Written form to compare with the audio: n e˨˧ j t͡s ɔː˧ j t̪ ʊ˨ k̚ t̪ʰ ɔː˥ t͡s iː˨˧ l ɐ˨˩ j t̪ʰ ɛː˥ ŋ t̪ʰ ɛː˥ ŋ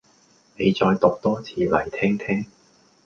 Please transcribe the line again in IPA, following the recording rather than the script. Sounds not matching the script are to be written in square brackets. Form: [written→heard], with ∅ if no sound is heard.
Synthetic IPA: n e˨˧ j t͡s ɔː˧ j t̪ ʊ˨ k̚ [t̪ʰ→t̪] ɔː˥ [t͡s→t͡sʰ] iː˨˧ l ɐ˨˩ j t̪ʰ ɛː˥ ŋ t̪ʰ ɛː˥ ŋ